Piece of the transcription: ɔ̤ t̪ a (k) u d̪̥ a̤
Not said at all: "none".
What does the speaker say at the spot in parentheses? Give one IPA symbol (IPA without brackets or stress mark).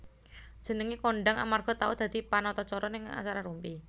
none